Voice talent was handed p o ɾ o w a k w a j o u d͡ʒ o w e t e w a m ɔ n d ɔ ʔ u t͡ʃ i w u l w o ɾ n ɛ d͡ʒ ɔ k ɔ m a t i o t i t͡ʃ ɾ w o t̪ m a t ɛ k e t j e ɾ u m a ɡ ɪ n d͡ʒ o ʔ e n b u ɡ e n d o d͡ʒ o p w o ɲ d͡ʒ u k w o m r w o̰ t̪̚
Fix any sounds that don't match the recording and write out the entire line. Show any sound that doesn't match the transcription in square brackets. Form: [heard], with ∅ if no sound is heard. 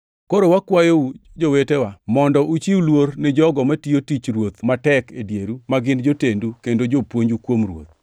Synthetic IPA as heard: [k] o ɾ o w a k w a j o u d͡ʒ o w e t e w a m ɔ n d ɔ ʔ u t͡ʃ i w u l w o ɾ n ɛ d͡ʒ ɔ [ɡ] ɔ m a t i o t i t͡ʃ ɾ w o t̪ m a t ɛ k e [d] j e ɾ u m a ɡ ɪ n d͡ʒ o [t] e n [d] u [k] e n d o d͡ʒ o p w o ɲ d͡ʒ u k w o m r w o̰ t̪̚